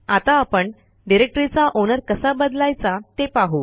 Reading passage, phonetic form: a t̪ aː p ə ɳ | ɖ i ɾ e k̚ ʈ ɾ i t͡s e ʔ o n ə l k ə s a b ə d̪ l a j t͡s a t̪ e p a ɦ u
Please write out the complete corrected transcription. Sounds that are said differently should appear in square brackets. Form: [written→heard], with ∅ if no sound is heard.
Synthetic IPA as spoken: a t̪ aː p ə ɳ | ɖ i ɾ e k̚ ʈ ɾ i t͡s [e→a] ʔ o n ə [l→ɾ] k ə s a b ə d̪ l a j t͡s a t̪ e p a ɦ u